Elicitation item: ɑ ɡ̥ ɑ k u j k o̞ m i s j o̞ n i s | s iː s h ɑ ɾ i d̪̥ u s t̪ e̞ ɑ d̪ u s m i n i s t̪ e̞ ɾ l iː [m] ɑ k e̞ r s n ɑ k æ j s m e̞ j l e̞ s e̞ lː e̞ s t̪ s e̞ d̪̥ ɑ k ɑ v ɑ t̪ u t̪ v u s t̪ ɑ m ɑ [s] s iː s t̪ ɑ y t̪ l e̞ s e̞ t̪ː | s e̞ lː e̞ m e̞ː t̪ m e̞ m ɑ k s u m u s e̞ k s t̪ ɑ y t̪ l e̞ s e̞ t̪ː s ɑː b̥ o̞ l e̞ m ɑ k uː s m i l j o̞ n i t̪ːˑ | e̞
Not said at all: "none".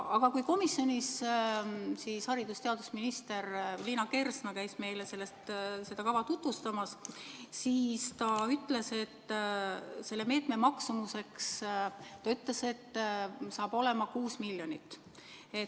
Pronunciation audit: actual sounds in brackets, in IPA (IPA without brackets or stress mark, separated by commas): n, s